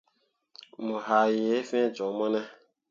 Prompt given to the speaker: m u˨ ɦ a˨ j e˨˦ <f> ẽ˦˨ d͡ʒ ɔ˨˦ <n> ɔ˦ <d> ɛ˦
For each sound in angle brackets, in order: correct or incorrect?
correct, incorrect: m, incorrect: n

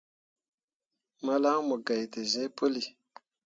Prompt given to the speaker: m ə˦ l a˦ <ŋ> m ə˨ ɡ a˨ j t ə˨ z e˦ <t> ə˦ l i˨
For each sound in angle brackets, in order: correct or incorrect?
correct, incorrect: p

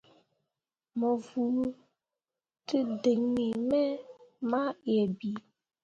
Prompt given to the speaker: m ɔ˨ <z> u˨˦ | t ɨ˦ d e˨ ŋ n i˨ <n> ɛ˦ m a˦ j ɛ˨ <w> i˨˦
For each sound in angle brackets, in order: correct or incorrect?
incorrect: v, incorrect: m, incorrect: b

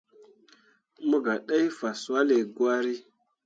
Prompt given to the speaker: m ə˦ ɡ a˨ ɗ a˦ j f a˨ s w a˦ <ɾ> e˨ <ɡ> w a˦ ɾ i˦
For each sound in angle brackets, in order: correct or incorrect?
incorrect: l, correct

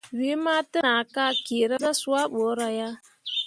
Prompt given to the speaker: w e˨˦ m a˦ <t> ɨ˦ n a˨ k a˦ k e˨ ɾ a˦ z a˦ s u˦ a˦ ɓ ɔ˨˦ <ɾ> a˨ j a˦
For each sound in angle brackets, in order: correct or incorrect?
correct, correct

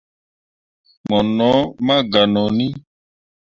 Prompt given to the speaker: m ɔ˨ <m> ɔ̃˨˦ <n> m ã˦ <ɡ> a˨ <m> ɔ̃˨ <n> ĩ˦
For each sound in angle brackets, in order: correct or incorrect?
incorrect: n, incorrect: none, correct, incorrect: n, correct

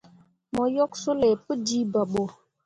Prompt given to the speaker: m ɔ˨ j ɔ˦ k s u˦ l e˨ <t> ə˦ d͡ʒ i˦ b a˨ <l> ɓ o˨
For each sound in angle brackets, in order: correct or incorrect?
incorrect: p, incorrect: none

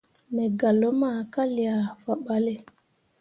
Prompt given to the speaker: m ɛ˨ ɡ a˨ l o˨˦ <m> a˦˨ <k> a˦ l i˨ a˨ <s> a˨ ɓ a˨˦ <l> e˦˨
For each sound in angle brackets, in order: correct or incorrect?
correct, correct, incorrect: f, correct

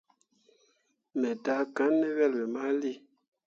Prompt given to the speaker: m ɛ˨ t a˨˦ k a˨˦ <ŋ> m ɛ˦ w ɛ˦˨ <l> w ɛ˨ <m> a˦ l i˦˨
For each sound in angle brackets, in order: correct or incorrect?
incorrect: n, correct, correct

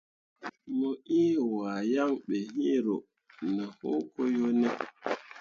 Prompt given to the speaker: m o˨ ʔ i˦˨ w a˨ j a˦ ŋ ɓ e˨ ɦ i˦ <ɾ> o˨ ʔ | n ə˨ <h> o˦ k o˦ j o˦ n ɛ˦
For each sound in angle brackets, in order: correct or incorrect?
correct, correct

